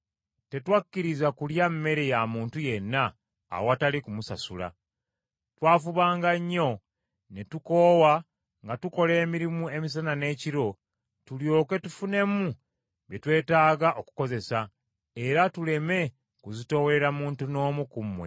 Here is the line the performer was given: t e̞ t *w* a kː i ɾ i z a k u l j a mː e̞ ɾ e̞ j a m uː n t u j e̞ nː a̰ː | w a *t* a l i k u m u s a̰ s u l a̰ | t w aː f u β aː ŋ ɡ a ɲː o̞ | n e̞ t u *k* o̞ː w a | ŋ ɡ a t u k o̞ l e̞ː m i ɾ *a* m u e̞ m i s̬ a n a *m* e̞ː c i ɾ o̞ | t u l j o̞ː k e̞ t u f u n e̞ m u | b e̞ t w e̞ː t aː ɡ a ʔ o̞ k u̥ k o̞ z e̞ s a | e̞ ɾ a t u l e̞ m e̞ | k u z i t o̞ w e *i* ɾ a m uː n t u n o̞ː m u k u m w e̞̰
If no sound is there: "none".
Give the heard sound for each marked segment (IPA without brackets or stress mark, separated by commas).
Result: w, t, k, i, n, e